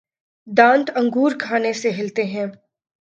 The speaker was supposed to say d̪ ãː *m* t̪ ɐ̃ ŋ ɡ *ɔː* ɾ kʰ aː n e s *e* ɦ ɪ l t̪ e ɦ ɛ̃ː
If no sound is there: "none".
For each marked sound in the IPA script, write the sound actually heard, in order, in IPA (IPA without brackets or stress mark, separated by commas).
n, uː, e